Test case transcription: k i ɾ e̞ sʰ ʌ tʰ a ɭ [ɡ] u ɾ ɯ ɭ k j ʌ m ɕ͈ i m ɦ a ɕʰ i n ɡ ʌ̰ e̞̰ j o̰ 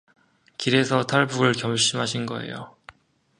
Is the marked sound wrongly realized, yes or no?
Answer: yes